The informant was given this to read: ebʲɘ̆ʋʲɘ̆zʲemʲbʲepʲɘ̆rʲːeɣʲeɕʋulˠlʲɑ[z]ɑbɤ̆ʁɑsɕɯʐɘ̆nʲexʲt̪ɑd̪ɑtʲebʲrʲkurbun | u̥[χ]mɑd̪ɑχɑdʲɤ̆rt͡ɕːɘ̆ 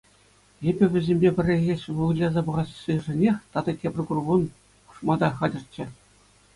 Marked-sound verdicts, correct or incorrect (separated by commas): correct, incorrect